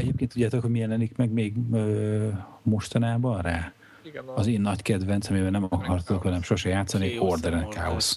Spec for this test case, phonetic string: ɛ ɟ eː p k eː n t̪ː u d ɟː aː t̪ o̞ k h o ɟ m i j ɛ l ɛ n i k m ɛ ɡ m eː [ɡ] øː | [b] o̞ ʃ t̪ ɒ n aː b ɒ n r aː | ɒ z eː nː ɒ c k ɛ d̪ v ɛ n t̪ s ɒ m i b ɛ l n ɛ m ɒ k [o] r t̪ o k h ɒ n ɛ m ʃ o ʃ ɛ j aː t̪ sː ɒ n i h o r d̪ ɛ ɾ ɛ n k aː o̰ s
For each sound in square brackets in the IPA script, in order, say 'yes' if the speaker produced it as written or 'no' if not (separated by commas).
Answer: yes, no, no